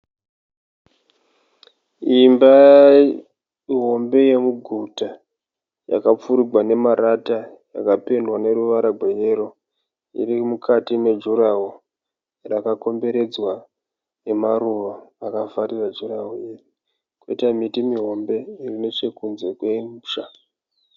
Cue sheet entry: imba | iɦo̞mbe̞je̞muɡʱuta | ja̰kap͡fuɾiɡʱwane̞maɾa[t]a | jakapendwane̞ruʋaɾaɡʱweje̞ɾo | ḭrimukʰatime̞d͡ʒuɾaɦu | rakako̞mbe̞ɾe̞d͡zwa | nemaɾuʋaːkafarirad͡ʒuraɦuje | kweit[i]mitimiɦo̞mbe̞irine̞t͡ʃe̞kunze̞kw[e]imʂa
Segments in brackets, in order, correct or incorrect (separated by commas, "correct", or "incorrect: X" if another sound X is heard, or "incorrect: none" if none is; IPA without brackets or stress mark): correct, incorrect: a, correct